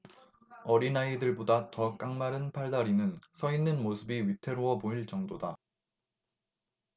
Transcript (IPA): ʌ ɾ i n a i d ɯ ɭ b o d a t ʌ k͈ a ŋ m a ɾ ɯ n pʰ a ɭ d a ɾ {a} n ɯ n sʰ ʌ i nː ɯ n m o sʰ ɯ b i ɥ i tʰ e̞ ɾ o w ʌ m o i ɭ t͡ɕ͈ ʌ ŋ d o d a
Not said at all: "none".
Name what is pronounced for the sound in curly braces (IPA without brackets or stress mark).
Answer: i